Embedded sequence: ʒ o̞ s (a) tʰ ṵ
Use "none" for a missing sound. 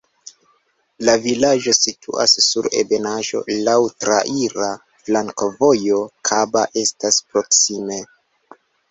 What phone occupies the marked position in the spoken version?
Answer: i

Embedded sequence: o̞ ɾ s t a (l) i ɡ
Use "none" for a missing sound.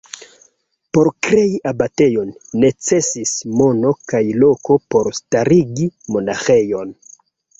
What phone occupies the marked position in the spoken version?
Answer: ɾ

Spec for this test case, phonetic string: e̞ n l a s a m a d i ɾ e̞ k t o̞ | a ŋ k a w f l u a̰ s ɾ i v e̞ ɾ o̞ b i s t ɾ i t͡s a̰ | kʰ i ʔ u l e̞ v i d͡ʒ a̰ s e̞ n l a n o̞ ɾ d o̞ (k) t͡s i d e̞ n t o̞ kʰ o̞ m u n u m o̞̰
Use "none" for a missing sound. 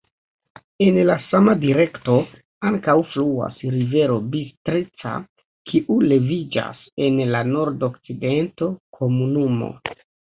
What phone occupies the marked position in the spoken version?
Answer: k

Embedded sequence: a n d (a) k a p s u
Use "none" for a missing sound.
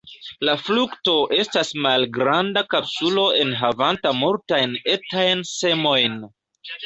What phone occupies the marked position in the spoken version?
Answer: a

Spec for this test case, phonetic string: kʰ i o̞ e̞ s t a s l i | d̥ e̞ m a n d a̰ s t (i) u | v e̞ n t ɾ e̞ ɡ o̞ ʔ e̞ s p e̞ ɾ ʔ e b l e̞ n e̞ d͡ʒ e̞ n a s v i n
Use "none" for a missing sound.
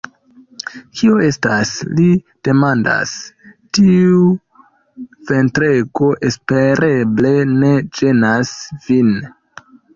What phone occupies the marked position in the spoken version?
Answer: i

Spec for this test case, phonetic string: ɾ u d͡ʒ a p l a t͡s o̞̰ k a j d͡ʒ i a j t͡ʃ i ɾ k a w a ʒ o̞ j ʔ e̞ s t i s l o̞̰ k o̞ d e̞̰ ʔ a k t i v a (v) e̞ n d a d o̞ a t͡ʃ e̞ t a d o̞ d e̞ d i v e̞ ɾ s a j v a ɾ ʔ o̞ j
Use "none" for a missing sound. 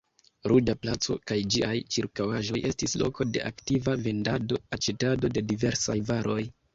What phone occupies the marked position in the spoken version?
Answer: v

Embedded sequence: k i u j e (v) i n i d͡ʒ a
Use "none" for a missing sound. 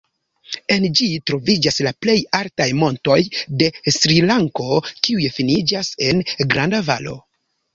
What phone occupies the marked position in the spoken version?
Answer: f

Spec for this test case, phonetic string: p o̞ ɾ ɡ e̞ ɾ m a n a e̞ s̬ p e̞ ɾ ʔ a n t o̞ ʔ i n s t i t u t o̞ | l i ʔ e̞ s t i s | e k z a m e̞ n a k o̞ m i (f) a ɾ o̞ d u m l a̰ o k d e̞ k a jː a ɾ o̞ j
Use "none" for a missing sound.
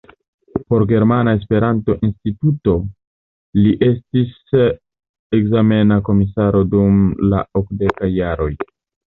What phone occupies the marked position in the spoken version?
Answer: s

